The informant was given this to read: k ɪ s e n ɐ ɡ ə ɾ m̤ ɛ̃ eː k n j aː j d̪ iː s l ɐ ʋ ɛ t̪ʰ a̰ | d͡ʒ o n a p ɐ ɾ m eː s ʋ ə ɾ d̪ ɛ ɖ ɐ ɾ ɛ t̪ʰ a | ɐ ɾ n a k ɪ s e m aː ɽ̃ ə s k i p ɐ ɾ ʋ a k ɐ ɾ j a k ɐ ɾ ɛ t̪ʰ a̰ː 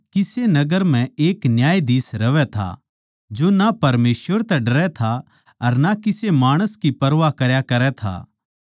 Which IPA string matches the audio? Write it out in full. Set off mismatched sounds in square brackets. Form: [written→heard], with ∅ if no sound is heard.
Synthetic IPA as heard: k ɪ s e n ɐ ɡ ə ɾ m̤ ɛ̃ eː k n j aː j d̪ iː s [l→ɾ] ɐ ʋ ɛ t̪ʰ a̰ | d͡ʒ o n a p ɐ ɾ m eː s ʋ ə ɾ [d̪→t̪] ɛ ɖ ɐ ɾ ɛ t̪ʰ a | ɐ ɾ n a k ɪ s e m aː ɽ̃ ə s k i p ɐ ɾ ʋ a k ɐ ɾ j a k ɐ ɾ ɛ t̪ʰ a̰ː